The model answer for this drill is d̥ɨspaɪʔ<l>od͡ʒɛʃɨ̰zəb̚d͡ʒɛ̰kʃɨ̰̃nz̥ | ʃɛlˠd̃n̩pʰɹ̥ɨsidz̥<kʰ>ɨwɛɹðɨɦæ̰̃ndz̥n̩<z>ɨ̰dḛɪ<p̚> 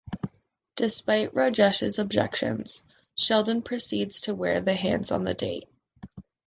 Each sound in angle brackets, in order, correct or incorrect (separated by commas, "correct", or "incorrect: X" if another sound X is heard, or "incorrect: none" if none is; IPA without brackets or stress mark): incorrect: ɹ, incorrect: tʰ, incorrect: ð, incorrect: t̚